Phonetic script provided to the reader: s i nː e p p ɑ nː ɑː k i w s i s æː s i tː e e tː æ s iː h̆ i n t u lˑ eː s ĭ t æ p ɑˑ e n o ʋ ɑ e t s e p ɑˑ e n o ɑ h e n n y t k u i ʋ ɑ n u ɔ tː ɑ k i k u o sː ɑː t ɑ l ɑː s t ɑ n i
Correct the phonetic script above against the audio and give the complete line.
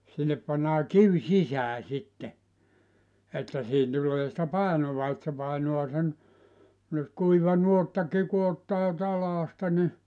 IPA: s i nː e p p ɑ nː ɑː k i w s i s æː s i tː e e tː æ s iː h̆ i n t u lˑ eː s ĭ t æ p ɑˑ e n o ʋ ɑ e t s e p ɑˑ e n o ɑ s e n n y t k u i ʋ ɑ n u o tː ɑ k i k u o tː ɑː t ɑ l ɑː s t ɑ n i